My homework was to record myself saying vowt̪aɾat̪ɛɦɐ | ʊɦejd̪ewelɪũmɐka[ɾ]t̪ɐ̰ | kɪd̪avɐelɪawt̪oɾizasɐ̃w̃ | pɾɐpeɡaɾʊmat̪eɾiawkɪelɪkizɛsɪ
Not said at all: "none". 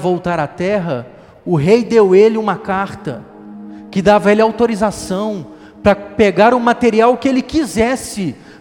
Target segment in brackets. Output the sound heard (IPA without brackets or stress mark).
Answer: ɾ